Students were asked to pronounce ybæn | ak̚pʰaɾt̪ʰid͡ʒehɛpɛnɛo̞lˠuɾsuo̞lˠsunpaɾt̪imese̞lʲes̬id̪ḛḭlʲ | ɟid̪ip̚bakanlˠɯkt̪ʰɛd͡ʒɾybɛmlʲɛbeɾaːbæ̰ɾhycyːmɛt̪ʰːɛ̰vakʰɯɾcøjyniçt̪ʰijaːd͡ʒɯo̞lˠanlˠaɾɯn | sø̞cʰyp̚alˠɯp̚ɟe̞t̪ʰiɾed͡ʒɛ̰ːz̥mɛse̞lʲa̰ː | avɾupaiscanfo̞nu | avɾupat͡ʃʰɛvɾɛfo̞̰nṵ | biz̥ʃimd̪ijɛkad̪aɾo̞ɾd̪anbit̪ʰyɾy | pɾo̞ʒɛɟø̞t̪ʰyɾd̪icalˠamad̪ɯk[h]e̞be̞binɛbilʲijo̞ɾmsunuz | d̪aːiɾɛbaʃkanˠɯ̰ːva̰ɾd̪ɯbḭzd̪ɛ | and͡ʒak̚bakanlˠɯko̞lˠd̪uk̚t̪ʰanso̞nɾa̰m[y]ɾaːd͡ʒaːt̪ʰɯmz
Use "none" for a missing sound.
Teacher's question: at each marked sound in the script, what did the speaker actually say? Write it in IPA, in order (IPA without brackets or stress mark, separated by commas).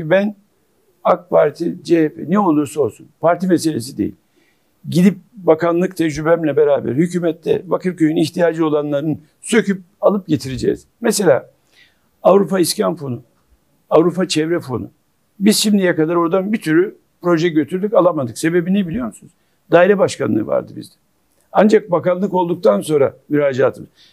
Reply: s, y